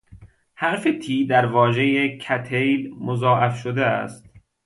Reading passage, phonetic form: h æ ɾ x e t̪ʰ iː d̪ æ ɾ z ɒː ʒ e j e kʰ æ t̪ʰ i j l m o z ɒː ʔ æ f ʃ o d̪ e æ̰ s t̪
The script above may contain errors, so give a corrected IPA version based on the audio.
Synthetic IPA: h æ ɾ f e t̪ʰ iː d̪ æ ɾ v ɒː ʒ e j e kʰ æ t̪ʰ e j l m o z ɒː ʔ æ f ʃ o d̪ e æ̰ s t̪